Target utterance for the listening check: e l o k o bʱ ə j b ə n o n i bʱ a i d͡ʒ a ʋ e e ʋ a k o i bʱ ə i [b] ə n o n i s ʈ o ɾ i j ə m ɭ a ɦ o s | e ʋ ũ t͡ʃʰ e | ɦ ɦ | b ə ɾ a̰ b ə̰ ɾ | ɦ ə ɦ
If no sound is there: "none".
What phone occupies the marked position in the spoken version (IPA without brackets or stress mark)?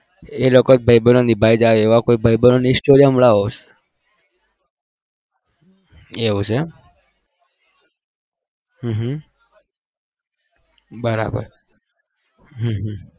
b